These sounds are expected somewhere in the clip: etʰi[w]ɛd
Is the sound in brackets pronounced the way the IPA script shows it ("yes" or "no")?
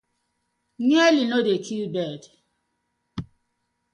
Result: no